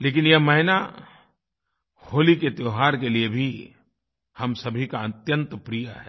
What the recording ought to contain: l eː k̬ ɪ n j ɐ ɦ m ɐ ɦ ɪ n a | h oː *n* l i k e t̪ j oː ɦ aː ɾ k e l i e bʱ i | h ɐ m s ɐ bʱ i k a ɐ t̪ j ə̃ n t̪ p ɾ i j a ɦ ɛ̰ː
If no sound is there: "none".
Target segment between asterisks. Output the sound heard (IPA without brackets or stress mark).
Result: none